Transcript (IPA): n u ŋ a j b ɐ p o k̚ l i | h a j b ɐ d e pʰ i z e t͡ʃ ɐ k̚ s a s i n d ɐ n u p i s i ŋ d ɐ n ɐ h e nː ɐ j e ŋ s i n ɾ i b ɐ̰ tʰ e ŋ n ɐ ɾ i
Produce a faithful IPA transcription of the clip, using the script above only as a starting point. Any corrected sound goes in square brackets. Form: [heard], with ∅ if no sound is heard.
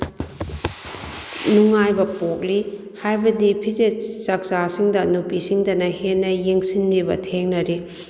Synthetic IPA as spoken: n u ŋ a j b ɐ p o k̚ l i | h a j b ɐ d [i] pʰ i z e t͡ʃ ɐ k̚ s a s i [ŋ] d ɐ n u p i s i ŋ d ɐ n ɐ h e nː ɐ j e ŋ s i n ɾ i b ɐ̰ tʰ e ŋ n ɐ ɾ i